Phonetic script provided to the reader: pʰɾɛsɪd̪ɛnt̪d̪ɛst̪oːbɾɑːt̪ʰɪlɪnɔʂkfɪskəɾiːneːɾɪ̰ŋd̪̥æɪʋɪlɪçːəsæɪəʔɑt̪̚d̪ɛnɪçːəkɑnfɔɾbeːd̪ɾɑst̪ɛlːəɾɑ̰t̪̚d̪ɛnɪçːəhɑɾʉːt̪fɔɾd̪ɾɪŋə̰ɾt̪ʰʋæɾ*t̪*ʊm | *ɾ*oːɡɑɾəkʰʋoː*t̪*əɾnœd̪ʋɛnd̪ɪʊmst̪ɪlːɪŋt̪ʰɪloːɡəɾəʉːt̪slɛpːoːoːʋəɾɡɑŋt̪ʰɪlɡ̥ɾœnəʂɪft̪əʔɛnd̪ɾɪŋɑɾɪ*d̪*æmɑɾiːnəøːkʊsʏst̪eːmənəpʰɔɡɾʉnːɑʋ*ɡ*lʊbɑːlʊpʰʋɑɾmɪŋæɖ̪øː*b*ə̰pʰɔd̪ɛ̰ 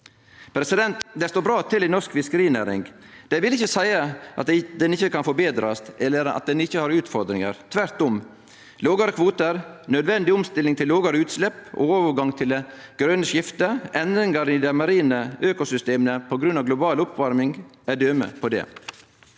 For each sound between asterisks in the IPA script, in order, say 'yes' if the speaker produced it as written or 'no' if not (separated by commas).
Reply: yes, no, yes, yes, yes, no